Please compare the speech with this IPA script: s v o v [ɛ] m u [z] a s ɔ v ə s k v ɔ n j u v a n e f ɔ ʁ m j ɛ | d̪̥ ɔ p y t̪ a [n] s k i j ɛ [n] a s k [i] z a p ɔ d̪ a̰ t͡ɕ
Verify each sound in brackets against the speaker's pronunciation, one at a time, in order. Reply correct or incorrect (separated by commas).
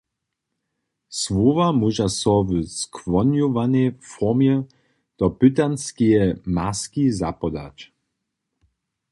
incorrect, incorrect, correct, incorrect, correct